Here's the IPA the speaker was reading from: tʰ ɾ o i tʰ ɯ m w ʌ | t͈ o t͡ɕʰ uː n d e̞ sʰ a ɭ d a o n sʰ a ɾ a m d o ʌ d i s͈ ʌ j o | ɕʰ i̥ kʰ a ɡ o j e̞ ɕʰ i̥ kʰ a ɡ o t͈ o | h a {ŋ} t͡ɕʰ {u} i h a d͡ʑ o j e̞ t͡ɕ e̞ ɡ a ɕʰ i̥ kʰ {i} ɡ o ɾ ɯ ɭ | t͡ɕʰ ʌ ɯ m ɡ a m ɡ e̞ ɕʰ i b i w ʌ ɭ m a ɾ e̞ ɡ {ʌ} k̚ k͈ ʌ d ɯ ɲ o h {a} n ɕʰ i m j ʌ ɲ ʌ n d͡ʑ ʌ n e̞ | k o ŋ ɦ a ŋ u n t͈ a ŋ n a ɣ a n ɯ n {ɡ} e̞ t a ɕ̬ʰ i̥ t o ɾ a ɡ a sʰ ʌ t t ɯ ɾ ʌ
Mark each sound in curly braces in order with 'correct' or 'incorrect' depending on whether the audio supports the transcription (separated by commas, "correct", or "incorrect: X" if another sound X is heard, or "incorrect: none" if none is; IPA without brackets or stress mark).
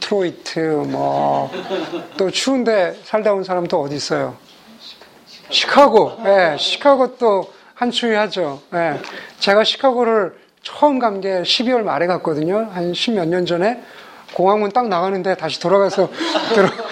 incorrect: n, correct, incorrect: a, incorrect: a, correct, incorrect: d